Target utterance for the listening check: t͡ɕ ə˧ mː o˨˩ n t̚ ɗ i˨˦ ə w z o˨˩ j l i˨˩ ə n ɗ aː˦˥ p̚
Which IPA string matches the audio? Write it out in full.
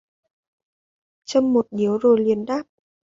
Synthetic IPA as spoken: t͡ɕ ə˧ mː o˨˩ t̚ ɗ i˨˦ ə w z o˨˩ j l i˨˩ ə n ɗ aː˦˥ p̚